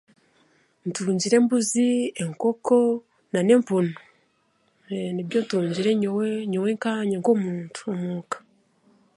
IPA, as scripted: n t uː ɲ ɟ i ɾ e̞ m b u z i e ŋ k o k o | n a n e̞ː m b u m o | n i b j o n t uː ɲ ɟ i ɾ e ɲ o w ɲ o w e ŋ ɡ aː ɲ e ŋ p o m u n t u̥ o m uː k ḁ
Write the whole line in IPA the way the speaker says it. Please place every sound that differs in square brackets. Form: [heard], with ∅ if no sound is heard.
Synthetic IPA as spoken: n t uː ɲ ɟ i ɾ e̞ m b u z i e ŋ k o k o | n a n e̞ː m [p] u [n] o | n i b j o n t uː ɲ ɟ i ɾ e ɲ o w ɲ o w e ŋ [k] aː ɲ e ŋ [k] o m [uː] n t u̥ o m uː k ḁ